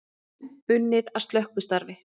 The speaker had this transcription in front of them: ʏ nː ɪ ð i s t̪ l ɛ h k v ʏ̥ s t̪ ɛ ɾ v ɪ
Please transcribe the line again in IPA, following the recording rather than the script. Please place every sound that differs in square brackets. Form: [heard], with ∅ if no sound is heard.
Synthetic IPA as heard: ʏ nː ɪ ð [a] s t̪ l [œ] h k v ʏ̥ s t̪ [a] ɾ v ɪ